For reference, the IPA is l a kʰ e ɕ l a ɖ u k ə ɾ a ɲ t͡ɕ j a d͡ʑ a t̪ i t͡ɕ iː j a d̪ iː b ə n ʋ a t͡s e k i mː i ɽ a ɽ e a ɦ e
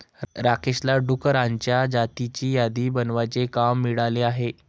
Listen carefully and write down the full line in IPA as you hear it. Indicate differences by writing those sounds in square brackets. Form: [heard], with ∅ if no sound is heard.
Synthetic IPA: [ɾ] a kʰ e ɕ l a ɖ u k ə ɾ a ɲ t͡ɕ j a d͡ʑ a t̪ i t͡ɕ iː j a d̪ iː b ə n ʋ a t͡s e k [a] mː i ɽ a [l] e a ɦ e